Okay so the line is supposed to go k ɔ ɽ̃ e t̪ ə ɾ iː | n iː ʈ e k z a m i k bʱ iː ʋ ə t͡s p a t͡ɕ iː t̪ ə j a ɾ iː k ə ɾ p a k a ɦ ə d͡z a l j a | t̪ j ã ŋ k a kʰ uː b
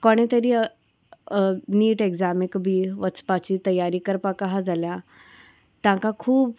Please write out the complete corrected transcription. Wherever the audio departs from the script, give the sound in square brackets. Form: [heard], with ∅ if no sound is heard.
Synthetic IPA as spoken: k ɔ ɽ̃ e t̪ ə ɾ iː | n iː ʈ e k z a m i k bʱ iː ʋ ə t͡s p a t͡ɕ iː t̪ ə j a ɾ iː k ə ɾ p a k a ɦ [a] d͡z a l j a | t̪ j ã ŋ k a kʰ uː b